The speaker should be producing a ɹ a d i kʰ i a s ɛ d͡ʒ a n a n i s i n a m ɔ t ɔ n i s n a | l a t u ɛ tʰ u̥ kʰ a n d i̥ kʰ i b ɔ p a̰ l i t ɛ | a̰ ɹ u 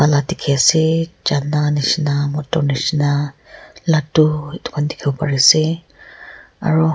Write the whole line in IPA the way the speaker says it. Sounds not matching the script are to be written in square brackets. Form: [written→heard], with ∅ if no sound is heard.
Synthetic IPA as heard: a [ɹ→l] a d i kʰ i a s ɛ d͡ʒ a n a n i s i n a m ɔ t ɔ n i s n a | l a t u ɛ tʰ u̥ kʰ a n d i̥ kʰ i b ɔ p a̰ [l→ɹ] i [t→s] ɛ | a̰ ɹ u